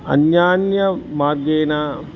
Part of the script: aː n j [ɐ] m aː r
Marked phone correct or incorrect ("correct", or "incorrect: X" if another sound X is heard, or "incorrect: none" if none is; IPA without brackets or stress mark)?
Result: correct